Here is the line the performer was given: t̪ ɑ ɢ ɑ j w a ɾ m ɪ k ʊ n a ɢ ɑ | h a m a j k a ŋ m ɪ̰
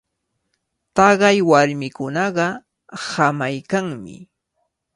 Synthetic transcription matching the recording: t̪ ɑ ɢ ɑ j w a ɾ m ɪ k ʊ n ɑ ɢ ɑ | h a m a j k a ŋ m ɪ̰